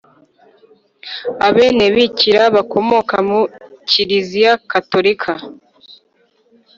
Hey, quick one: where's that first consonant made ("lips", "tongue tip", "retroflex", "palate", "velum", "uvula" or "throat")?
lips